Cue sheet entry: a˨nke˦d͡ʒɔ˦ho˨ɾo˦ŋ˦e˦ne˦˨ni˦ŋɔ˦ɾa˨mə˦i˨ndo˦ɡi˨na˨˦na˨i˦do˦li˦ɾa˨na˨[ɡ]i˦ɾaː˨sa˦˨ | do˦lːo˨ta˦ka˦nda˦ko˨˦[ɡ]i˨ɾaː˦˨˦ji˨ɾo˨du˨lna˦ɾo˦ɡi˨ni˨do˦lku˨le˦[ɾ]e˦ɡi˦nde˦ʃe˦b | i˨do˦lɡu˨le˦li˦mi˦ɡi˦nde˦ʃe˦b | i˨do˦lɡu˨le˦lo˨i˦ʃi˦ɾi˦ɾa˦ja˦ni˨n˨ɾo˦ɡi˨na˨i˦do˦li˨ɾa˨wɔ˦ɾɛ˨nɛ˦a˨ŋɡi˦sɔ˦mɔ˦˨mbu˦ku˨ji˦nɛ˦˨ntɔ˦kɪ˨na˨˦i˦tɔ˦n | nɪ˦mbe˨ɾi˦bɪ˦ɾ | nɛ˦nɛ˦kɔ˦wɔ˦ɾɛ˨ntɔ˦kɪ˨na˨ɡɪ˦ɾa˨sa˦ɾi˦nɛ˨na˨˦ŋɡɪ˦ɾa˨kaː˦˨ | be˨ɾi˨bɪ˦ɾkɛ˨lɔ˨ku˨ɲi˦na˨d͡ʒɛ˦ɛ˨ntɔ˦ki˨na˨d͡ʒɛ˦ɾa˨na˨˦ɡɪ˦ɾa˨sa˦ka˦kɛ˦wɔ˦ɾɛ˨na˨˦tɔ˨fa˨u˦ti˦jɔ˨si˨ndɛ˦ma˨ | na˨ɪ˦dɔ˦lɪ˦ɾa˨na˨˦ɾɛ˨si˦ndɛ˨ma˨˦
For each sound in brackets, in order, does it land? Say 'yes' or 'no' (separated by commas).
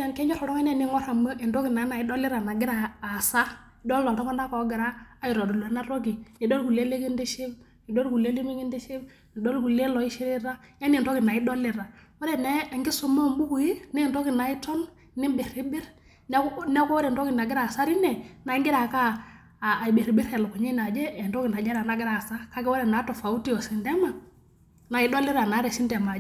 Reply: yes, yes, no